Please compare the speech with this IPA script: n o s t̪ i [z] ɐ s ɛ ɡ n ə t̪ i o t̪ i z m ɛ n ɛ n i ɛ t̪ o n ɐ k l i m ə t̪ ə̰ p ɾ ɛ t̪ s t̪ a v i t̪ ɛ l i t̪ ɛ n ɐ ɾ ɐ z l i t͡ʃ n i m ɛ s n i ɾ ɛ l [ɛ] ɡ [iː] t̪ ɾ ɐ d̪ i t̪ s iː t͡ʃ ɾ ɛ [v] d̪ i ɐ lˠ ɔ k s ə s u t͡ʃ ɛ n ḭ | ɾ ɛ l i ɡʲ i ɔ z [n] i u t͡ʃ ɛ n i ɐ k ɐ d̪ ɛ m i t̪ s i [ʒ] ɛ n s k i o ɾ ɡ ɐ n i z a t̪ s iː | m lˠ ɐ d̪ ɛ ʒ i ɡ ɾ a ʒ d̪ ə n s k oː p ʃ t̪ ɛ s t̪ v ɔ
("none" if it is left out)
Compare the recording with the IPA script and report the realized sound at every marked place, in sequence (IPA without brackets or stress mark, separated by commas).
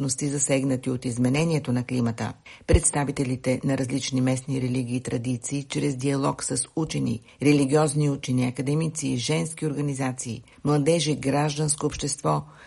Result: z, i, iː, z, n, ʒ